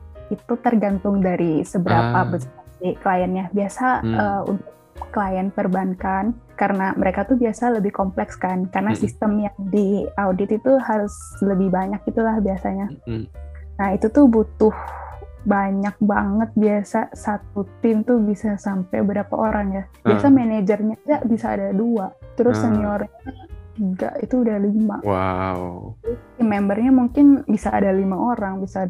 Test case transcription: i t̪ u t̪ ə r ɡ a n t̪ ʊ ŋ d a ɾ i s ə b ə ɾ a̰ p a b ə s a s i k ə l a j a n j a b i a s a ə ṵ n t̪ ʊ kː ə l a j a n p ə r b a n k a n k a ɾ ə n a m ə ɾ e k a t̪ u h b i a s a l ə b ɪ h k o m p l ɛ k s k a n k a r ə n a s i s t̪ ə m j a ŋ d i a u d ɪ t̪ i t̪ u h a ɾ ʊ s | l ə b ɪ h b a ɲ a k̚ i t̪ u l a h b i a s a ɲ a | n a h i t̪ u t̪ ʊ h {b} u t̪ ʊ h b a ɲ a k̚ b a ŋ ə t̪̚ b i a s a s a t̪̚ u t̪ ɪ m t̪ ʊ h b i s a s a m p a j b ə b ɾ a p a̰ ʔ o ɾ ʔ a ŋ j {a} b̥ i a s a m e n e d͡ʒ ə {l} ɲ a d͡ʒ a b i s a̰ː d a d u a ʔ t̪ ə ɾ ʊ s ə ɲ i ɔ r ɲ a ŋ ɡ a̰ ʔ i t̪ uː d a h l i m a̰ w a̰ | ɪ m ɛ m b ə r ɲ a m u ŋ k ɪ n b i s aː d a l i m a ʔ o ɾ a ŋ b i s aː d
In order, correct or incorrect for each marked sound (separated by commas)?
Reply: correct, correct, incorrect